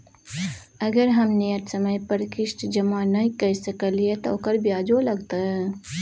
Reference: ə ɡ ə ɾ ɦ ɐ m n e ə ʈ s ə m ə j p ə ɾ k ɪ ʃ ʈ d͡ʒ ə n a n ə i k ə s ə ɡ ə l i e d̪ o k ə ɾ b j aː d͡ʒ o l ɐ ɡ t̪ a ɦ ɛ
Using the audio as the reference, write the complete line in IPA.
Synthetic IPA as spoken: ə ɡ ə ɾ ɦ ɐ m n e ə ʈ s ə m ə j p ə ɾ k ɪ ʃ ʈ d͡ʒ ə m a n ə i k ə s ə k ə l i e t̪ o k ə ɾ b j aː d͡ʒ o l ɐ ɡ t̪ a ɦ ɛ